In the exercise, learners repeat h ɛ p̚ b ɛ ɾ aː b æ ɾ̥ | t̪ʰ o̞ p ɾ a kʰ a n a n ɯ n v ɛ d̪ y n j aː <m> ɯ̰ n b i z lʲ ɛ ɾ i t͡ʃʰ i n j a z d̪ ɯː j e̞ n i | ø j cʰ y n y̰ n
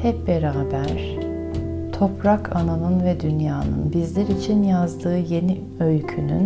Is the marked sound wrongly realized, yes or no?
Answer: yes